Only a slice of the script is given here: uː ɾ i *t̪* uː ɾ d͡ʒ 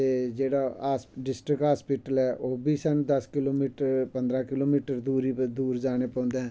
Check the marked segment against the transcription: incorrect: d̪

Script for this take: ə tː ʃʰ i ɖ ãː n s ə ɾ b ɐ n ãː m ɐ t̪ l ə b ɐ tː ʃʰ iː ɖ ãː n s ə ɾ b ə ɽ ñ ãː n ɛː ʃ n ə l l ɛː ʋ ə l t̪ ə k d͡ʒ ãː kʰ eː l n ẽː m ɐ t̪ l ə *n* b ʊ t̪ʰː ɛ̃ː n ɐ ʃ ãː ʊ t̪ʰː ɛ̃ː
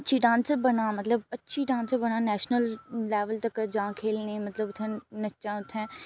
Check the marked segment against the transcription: incorrect: none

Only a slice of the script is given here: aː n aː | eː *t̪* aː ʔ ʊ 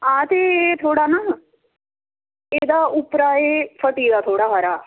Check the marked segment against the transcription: incorrect: d̪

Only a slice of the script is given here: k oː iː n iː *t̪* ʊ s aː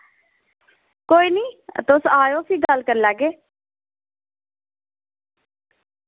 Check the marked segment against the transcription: correct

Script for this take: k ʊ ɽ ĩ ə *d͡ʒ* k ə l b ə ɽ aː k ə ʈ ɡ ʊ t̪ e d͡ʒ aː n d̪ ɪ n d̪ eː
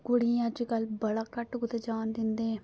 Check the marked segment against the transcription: correct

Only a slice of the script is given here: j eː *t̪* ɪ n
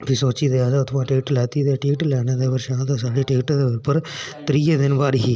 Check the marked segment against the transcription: incorrect: d̪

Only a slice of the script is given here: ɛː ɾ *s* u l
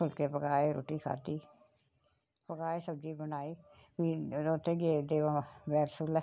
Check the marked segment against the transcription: correct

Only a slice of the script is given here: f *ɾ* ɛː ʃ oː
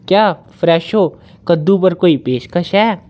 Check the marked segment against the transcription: correct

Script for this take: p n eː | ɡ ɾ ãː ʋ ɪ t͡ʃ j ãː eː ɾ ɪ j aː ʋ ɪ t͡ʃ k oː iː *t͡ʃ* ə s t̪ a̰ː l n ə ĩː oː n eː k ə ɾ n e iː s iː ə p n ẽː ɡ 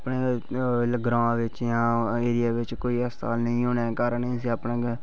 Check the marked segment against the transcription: incorrect: none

